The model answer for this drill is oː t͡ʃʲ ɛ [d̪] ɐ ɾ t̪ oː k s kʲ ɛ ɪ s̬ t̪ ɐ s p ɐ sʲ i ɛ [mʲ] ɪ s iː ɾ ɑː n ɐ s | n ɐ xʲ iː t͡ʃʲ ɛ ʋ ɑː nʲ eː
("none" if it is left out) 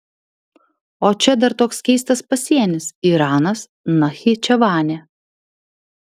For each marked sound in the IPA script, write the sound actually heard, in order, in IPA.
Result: d̪, nʲ

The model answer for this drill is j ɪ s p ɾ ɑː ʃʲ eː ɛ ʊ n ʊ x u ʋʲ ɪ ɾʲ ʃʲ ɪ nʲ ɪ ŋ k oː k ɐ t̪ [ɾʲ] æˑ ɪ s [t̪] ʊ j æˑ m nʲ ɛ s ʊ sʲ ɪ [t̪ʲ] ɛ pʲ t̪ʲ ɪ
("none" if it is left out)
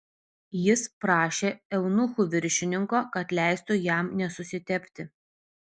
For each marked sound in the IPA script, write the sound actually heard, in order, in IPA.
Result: lʲ, t̪, t̪ʲ

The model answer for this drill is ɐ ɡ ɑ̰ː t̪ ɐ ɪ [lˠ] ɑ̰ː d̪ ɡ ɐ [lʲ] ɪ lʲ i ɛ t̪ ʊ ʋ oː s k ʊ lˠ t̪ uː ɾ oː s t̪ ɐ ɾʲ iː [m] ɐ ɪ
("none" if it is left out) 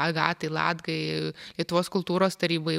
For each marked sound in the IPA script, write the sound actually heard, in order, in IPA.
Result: lˠ, none, b

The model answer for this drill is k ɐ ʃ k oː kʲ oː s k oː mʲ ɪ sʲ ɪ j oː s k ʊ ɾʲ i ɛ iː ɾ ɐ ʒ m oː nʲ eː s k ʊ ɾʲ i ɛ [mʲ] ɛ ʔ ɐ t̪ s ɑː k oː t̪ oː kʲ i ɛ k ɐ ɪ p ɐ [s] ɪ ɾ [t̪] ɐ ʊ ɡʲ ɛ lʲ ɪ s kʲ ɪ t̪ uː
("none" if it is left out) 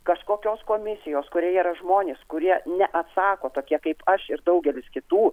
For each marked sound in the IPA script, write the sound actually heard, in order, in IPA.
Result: nʲ, ʃ, d̪

